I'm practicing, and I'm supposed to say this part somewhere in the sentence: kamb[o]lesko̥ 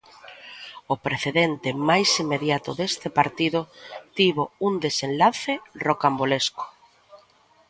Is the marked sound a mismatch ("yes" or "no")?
no